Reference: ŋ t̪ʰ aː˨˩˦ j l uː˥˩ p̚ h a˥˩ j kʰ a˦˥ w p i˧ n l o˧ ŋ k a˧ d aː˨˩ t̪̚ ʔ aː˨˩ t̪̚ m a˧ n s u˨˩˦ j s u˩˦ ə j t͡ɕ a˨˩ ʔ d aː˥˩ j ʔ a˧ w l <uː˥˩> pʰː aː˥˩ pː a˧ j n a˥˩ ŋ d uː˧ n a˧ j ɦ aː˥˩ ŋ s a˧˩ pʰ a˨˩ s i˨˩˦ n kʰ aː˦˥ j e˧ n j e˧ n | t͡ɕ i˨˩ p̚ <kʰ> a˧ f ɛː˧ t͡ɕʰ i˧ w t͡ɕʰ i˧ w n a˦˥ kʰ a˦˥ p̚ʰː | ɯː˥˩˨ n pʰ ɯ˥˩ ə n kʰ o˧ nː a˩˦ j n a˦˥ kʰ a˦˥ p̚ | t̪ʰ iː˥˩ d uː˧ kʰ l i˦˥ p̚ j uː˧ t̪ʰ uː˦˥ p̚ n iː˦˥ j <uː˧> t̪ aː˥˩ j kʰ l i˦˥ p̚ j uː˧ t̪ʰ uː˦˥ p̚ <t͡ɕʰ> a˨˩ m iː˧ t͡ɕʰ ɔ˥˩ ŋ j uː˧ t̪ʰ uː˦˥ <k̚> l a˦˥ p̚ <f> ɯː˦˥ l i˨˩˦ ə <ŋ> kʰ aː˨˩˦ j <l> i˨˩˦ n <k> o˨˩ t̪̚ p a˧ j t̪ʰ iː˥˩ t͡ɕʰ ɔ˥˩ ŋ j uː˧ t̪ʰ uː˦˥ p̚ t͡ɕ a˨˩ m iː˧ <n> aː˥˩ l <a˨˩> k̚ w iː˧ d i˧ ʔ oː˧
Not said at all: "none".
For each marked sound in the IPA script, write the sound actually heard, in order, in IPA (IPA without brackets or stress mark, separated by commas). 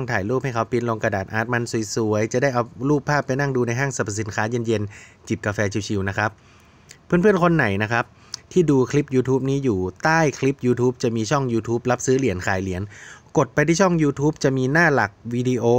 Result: uː˥˩, k, uː˨˩, t͡ɕ, p̚, s, n, l, k, n, a˨˩